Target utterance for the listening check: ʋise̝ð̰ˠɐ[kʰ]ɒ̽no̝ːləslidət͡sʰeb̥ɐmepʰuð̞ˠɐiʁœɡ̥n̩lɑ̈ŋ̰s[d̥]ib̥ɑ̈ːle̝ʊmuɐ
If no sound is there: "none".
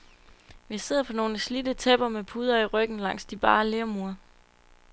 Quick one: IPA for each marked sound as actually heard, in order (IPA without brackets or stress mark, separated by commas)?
pʰ, d̥